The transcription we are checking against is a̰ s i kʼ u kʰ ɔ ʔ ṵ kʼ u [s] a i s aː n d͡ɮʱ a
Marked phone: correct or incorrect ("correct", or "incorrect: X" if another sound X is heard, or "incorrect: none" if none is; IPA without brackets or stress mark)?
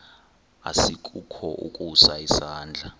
correct